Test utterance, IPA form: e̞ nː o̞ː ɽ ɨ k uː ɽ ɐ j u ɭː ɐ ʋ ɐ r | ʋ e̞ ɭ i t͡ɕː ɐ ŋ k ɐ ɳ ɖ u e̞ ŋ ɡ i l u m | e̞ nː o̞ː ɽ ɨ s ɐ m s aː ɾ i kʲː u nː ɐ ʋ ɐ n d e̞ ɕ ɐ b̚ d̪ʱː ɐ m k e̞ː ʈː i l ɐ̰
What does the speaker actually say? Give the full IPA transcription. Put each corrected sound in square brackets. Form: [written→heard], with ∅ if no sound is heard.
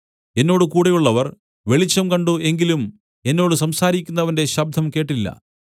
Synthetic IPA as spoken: e̞ nː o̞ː ɽ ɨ k uː ɽ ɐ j u ɭː ɐ ʋ ɐ r | ʋ e̞ ɭ i t͡ɕː ɐ [ŋ→m] k ɐ ɳ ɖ u e̞ ŋ ɡ i l u m | e̞ nː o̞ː ɽ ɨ s ɐ m s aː ɾ i kʲː u nː ɐ ʋ ɐ n d e̞ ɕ ɐ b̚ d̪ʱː ɐ m k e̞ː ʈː i [l→lː] ɐ̰